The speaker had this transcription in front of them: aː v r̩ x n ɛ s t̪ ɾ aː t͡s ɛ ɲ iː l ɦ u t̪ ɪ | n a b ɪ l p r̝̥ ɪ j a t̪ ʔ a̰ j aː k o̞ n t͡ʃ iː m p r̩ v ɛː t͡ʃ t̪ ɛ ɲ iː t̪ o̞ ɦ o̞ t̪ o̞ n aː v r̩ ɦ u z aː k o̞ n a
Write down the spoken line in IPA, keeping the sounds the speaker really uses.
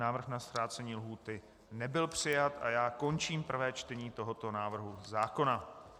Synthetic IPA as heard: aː v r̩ x n a s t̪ ɾ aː t͡s ɛ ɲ iː l ɦ uː t̪ ɪ | n ɛ b ɪ l p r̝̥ ɪ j a t̪ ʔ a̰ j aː k o̞ n t͡ʃ iː m p r̩ v ɛː t͡ʃ t̪ ɛ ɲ iː t̪ o̞ ɦ o̞ t̪ o̞ n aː v r̩ ɦ u z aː k o̞ n a

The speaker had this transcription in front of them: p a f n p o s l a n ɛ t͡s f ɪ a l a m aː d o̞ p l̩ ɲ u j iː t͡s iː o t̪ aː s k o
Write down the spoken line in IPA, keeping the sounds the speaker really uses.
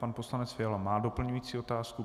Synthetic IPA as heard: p a n p o s l a n ɛ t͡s f ɪ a l a m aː d o̞ p l̩ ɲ u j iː t͡s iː o t̪ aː s k u

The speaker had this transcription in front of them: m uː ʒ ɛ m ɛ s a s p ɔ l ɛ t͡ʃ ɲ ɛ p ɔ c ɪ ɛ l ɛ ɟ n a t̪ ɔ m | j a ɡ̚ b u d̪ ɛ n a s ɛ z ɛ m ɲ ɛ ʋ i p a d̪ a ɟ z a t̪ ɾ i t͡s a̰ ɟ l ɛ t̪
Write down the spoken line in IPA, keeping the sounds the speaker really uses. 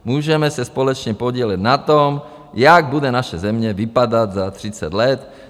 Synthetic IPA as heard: m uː ʒ ɛ m ɛ s a s p ɔ l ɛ t͡ʃ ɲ ɛ p ɔ ɟ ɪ ɛ l ɛ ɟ n a t̪ ɔ m | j a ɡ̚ b u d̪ ɛ n a ʃ ɛ z ɛ m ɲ ɛ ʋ i p a d̪ a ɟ z a t̪ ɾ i t͡s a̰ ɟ l ɛ t̪

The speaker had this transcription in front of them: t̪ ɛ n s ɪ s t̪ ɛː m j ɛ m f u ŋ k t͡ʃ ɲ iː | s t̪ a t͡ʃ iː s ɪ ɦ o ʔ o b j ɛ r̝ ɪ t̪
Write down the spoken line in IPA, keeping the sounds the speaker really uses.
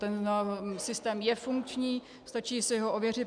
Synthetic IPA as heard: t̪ ɛ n s ɪ s t̪ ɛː m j ɛ f u ŋ k t͡ʃ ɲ iː | s t̪ a t͡ʃ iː s ɪ ɦ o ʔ o v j ɛ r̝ ɪ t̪

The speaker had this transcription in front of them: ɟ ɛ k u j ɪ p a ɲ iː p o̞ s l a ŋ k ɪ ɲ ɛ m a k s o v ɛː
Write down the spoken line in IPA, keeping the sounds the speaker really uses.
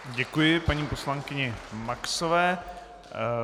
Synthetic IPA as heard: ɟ ɛ k u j ɪ p a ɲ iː p o̞ s l a ŋ k ɪ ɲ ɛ m a k s o v ɛː

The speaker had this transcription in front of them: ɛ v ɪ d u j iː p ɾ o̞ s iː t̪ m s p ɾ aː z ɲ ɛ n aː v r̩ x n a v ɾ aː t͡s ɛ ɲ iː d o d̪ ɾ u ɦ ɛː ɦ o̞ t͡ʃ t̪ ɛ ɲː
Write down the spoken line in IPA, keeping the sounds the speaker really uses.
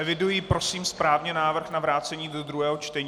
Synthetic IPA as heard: ɛ v ɪ d u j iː p ɾ o̞ s iː m s p ɾ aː v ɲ ɛ n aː v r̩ x n a v ɾ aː t͡s ɛ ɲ iː d o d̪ ɾ u ɦ ɛː ɦ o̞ t͡ʃ t̪ ɛ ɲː

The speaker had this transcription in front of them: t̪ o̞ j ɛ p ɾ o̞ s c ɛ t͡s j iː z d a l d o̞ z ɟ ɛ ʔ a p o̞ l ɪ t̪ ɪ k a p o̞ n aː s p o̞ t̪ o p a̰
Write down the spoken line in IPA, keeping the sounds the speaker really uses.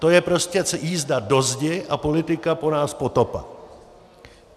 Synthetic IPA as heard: t̪ o̞ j ɛ p ɾ o̞ s c ɛ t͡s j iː z d a d o̞ z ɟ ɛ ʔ a p o̞ l ɪ t̪ ɪ k a p o̞ n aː s p o̞ t̪ o p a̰

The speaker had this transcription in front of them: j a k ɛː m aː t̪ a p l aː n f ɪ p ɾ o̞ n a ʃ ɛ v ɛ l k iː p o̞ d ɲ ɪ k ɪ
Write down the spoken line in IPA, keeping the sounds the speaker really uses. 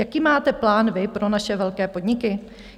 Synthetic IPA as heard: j a k iː m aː t̪ ɛ p l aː n v ɪ p ɾ o̞ n a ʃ ɛ v ɛ l k ɛː p o̞ d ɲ ɪ k ɪ

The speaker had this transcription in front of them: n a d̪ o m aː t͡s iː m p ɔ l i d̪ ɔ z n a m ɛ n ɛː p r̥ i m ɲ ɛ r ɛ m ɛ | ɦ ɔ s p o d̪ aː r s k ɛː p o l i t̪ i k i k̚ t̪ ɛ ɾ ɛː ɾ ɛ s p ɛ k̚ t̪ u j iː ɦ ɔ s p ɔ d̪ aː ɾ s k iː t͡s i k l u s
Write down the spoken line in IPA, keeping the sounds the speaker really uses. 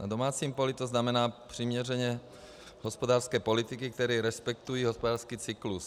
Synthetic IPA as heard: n a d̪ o m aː t͡s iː m p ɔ l i t̪ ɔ z n a m ɛ n aː p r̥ i m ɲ ɛ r ɛ ɲ ɛ | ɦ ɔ s p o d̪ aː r s k ɛː p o l i t̪ i k i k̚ t̪ ɛ ɾ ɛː ɾ ɛ s p ɛ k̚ t̪ u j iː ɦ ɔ s p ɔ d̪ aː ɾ s k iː t͡s i k l u s

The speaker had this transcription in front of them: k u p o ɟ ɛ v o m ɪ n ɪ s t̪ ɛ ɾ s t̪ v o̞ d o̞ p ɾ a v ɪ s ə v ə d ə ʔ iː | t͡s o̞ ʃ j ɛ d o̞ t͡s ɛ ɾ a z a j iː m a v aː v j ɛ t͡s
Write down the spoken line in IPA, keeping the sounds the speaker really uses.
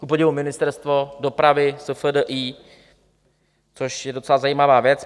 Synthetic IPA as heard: k u p o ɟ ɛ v u m ɪ n ɪ s t̪ ɛ ɾ s t̪ v o̞ d o̞ p ɾ a v ɪ s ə f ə d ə ʔ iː | t͡s o̞ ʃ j ɛ d o̞ t͡s ɛ l a z a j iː m a v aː v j ɛ t͡s

